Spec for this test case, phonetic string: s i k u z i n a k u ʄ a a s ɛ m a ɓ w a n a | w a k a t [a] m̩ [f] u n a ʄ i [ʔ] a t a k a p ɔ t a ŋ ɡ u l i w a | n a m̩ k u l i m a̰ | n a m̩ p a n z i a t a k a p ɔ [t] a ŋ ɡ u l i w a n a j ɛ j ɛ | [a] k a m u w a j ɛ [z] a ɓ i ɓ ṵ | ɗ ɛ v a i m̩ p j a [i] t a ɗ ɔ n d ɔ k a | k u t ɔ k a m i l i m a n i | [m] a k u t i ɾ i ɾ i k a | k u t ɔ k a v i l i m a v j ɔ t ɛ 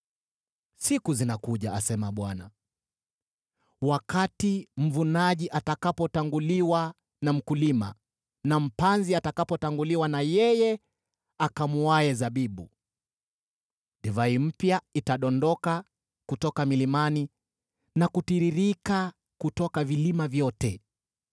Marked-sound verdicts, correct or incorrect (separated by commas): incorrect, incorrect, correct, correct, correct, correct, correct, incorrect